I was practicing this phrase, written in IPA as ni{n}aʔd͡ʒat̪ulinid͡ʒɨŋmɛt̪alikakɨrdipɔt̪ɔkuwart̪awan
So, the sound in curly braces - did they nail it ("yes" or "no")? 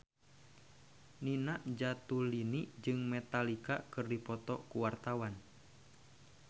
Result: yes